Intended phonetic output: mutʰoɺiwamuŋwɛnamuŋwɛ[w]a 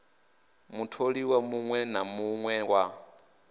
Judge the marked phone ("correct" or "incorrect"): correct